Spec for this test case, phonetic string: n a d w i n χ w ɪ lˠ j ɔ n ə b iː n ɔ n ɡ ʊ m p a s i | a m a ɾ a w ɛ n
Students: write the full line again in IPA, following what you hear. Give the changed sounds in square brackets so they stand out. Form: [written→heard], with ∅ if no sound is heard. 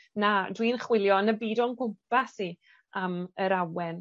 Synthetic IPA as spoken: n a d w i n χ w ɪ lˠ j ɔ n ə b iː [n→d] ɔ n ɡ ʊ m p a s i | a m [a→ə] ɾ a w ɛ n